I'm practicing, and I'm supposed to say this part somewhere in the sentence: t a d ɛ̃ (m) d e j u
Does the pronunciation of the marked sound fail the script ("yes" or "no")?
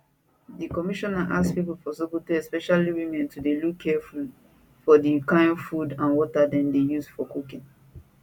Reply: yes